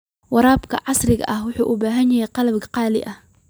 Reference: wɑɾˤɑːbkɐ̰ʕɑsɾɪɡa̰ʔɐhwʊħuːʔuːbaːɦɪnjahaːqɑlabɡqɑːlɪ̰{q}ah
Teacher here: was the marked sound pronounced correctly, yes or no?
no